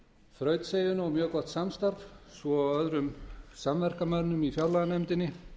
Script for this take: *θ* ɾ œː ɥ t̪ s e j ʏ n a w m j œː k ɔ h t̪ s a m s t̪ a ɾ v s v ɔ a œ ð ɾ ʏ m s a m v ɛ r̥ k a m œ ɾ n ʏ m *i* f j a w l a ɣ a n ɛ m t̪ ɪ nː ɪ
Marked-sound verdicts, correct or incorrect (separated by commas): incorrect, correct